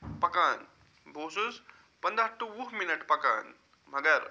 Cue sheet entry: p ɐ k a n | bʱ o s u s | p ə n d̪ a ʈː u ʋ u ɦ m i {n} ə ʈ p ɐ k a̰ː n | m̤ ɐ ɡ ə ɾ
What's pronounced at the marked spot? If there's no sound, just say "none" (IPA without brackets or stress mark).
n